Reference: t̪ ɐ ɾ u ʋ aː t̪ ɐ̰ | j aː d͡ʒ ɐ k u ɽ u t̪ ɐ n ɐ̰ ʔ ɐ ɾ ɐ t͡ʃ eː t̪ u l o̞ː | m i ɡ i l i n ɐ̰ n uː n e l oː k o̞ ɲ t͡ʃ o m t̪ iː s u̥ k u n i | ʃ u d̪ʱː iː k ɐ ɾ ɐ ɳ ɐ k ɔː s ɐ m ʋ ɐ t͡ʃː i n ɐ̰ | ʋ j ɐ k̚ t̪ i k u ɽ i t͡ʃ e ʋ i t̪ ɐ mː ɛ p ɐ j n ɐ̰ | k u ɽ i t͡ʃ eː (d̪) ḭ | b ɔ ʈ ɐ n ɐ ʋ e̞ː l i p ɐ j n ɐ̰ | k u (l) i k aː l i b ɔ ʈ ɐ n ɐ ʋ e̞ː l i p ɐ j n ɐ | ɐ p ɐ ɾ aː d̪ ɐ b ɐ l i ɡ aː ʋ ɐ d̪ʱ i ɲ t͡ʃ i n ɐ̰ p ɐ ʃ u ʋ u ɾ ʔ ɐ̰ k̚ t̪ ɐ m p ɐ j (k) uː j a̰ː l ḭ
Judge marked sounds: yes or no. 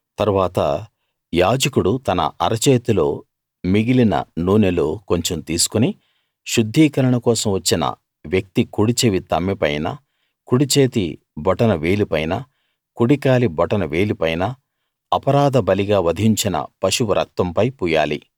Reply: no, no, no

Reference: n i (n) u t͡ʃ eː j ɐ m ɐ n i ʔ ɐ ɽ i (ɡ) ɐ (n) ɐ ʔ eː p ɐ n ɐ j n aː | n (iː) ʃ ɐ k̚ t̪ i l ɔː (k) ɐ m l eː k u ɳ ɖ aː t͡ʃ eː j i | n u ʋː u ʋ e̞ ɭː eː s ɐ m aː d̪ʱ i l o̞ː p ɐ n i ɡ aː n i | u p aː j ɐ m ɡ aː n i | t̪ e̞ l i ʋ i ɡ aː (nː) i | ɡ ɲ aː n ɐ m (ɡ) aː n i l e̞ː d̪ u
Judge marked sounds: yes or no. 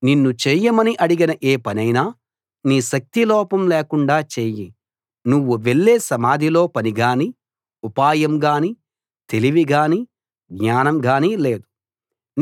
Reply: no, yes, yes, yes, no, no, yes

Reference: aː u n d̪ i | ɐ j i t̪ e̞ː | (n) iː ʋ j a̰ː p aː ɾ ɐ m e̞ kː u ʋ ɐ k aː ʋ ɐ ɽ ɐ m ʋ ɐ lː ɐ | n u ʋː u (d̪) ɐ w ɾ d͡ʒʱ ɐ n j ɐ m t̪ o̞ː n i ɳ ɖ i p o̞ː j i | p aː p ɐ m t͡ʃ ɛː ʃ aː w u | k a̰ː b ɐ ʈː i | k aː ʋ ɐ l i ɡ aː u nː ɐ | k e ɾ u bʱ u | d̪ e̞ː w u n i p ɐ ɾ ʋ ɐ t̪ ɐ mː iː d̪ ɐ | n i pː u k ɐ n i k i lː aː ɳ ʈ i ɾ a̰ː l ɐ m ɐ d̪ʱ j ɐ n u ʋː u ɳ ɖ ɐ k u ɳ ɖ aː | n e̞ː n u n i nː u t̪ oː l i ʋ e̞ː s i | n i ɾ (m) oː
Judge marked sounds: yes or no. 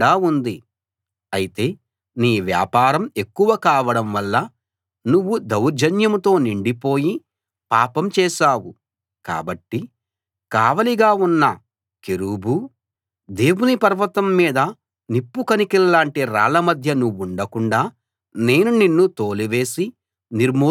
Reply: yes, yes, yes

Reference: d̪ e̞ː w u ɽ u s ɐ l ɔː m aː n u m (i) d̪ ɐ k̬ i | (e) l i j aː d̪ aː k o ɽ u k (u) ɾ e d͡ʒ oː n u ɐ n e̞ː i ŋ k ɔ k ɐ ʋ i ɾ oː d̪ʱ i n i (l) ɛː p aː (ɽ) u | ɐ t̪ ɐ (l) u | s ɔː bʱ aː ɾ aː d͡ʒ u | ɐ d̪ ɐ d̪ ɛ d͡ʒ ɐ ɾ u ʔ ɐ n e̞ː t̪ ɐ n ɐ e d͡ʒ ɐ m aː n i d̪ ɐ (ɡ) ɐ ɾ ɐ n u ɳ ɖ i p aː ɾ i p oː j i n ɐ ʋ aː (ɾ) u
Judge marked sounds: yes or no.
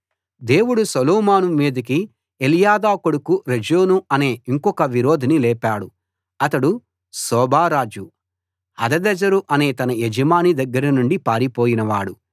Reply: no, yes, yes, yes, yes, no, no, no

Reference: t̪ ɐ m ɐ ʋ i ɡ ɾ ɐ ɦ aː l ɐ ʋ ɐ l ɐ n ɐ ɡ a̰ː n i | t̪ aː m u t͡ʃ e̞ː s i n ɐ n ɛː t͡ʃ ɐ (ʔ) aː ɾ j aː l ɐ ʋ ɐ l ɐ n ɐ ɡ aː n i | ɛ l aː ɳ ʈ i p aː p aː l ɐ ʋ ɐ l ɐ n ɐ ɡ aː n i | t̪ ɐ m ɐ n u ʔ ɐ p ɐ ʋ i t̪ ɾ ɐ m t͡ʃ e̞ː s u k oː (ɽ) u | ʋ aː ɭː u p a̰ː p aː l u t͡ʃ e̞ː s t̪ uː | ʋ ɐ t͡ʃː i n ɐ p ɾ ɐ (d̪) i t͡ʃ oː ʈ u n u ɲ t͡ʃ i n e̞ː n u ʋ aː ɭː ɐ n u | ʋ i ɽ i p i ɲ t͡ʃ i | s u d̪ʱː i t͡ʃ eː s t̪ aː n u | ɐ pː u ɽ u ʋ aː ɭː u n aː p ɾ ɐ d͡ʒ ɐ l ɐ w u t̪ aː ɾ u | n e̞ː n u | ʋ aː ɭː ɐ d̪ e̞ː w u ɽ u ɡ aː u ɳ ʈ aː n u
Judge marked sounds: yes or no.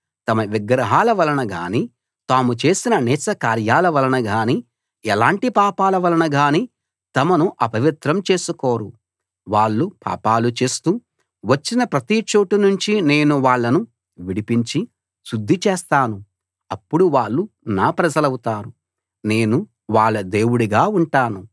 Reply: no, no, no

